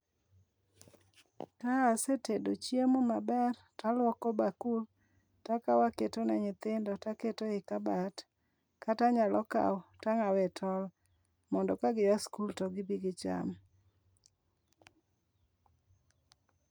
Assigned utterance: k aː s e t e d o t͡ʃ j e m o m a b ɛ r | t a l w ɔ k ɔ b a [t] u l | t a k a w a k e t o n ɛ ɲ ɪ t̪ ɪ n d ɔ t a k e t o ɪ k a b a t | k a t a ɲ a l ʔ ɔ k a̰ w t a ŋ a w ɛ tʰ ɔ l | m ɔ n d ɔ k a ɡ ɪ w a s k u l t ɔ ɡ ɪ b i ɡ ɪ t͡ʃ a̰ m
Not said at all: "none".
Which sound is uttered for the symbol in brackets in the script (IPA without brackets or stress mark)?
k